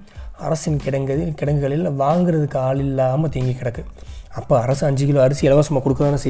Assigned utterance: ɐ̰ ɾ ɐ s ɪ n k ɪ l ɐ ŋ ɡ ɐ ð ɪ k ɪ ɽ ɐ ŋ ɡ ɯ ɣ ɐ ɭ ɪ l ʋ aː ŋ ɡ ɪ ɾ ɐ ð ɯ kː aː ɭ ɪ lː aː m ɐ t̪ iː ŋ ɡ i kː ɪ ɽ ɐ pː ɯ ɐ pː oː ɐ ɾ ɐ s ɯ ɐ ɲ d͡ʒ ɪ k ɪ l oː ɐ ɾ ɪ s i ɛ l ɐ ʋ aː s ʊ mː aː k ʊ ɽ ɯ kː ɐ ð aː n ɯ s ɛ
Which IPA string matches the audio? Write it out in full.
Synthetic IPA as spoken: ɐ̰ ɾ ɐ s ɪ n k ɪ ɽ ɐ ŋ ɡ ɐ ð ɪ k ɪ ɽ ɐ ŋ ɡ ɯ ɣ ɐ ɭ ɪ l ʋ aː ŋ ɡ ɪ ɾ ɐ ð ɯ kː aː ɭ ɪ lː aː m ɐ t̪ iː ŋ ɡ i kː ɪ ɽ ɐ kː ɯ ɐ pː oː ɐ ɾ ɐ s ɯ ɐ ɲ d͡ʒ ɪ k ɪ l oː ɐ ɾ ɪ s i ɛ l ɐ ʋ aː s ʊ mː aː k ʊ ɽ ɯ kː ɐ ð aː n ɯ s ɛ